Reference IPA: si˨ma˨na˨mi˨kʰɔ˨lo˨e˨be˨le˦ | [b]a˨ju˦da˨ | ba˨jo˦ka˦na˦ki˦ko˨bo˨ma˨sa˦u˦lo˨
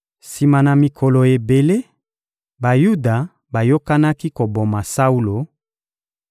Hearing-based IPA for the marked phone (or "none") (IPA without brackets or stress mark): b